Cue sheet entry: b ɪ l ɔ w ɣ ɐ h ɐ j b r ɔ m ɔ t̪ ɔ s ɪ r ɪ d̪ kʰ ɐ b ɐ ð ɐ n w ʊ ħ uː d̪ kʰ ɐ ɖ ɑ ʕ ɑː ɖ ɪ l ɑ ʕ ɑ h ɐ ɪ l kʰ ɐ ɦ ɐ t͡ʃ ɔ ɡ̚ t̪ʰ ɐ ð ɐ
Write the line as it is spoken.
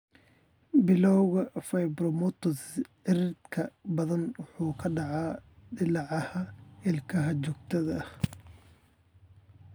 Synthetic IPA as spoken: b ɪ l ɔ w ɣ ɐ f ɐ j b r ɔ m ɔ t̪ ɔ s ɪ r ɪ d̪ kʰ ɐ b ɐ ð ɐ n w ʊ ħ uː kʰ ɐ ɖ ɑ ʕ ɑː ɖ ɪ l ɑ ʕ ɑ h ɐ ɪ l kʰ ɐ ɦ ɐ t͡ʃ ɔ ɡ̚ t̪ʰ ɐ ð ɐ